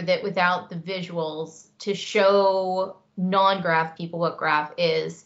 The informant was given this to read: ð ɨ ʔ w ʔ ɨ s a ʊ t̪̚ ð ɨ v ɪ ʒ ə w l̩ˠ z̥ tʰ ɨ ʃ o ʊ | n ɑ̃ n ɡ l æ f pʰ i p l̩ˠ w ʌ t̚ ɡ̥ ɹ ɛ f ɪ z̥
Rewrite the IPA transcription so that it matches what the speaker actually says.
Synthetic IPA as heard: ð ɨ ʔ w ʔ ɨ θ a ʊ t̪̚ ð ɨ v ɪ ʒ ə w l̩ˠ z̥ tʰ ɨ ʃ o ʊ | n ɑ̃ n ɡ ɹ æ f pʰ i p l̩ˠ w ʌ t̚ ɡ̥ ɹ æ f ɪ z̥